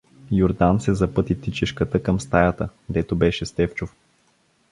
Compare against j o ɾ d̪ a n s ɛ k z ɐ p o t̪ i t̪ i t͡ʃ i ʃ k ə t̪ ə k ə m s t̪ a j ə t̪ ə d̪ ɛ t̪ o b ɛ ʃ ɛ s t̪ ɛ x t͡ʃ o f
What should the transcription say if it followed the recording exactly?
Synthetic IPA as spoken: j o ɾ d̪ a n s ɛ z ɐ p ɤ t̪ i t̪ i t͡ʃ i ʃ k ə t̪ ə k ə m s t̪ a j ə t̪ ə d̪ ɛ t̪ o b ɛ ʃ ɛ s t̪ ɛ f t͡ʃ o f